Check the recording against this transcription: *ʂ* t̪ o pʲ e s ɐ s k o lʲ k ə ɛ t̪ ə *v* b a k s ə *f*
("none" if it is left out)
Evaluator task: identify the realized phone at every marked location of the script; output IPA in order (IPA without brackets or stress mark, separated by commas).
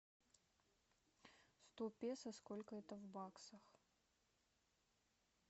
s, v, x